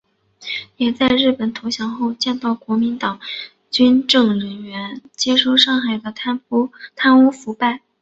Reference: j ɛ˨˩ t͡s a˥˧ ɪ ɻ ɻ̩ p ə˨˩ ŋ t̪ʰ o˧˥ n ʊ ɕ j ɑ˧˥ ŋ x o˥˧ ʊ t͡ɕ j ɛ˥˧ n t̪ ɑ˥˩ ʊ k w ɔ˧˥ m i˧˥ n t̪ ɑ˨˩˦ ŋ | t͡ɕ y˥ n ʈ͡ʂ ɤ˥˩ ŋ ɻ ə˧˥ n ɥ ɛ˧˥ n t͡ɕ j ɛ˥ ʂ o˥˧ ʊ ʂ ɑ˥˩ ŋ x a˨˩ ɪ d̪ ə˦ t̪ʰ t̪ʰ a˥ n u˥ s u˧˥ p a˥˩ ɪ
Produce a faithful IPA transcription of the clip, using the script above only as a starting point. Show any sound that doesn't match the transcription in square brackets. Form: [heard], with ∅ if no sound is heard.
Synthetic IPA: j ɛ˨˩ t͡s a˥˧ ɪ ɻ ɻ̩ p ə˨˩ [n] t̪ʰ o˧˥ [∅] ʊ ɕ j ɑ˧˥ ŋ x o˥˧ ʊ t͡ɕ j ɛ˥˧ n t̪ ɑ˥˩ ʊ k w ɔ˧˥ m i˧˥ n t̪ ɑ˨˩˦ ŋ | t͡ɕ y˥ n ʈ͡ʂ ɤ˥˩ ŋ ɻ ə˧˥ n ɥ ɛ˧˥ n t͡ɕ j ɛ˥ ʂ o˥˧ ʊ ʂ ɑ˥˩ ŋ x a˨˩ ɪ d̪ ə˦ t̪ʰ t̪ʰ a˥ n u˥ [f] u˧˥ p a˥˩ ɪ